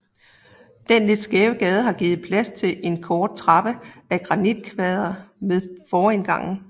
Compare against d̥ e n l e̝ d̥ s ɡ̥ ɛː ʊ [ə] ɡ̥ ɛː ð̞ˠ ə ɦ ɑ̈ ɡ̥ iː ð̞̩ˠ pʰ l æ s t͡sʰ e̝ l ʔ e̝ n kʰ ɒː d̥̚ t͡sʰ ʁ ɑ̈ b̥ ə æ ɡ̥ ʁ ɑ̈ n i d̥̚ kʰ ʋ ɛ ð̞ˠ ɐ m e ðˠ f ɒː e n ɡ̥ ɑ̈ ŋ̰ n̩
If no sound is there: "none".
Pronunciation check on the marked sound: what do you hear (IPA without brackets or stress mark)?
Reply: ə